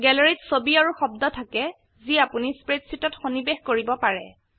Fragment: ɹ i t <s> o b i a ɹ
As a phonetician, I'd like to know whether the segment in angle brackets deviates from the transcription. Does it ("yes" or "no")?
no